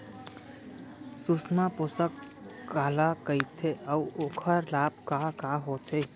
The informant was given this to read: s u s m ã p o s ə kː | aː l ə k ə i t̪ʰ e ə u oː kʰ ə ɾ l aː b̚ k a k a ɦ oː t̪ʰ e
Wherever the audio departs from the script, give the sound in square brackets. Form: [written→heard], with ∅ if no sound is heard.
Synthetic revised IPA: s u s m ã p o s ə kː | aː l [ə→a] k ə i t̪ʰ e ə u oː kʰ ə ɾ l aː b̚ k a k a ɦ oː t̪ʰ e